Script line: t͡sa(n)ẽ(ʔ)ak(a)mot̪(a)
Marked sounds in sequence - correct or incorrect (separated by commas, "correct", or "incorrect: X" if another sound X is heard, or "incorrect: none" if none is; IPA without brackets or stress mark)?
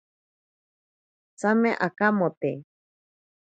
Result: incorrect: m, correct, correct, incorrect: e